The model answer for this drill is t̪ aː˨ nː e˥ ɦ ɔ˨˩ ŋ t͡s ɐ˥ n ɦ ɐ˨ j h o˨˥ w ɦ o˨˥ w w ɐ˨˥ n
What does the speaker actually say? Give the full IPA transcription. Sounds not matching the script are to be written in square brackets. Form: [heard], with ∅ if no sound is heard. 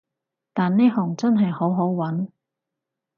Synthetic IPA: t̪ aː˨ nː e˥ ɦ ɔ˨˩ ŋ t͡s ɐ˥ n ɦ ɐ˨ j h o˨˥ w ɦ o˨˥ w w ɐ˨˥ n